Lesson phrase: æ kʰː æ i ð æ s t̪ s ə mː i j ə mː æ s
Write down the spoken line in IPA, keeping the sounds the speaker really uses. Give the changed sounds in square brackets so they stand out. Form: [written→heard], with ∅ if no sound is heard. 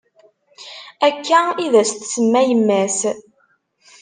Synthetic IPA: æ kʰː æ i ð æ s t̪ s ə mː [i→æ] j ə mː æ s